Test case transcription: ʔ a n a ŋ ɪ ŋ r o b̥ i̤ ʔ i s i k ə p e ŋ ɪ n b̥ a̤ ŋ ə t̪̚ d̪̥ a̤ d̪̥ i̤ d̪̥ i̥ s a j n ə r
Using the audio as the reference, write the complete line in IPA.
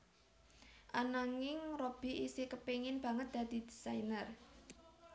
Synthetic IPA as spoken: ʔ a n a ŋ ɪ ŋ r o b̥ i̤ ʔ i s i k ə p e ŋ ɪ n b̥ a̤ ŋ ə t̪̚ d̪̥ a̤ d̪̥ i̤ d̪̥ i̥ s a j n ə r